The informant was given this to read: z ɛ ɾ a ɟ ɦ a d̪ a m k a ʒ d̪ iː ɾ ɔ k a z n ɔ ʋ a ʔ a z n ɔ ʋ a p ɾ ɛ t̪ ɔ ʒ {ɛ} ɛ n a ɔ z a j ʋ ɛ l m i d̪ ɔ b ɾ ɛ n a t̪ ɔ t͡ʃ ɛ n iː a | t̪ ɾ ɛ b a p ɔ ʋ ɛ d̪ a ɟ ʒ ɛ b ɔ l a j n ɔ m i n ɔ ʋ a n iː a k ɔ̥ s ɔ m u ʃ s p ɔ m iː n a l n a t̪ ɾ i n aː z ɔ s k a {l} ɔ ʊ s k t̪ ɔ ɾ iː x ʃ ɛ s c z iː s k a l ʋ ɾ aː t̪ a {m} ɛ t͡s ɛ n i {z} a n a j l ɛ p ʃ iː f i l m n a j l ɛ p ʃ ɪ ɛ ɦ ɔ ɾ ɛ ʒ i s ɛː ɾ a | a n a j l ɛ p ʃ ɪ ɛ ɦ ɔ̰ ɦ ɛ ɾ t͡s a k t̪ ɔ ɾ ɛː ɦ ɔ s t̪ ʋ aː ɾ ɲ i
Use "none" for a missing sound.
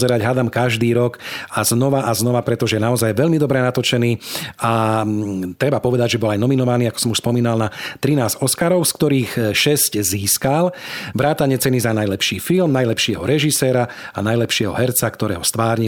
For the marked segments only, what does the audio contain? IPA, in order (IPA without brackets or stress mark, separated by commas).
ɛ, ɾ, ɲ, z